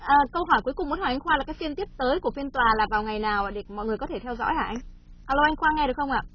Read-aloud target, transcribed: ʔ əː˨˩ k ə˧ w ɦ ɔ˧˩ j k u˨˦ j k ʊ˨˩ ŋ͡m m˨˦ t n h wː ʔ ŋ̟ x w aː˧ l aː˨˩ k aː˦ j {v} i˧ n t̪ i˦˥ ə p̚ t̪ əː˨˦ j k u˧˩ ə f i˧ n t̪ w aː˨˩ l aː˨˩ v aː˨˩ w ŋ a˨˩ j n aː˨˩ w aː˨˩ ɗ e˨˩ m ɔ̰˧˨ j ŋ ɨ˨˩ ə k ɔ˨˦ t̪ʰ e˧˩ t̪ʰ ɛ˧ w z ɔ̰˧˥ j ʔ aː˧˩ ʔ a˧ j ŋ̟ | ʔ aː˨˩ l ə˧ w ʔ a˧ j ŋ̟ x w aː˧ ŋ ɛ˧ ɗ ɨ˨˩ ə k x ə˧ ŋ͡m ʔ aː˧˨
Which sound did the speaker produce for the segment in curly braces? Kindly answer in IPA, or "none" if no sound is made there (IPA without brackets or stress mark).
f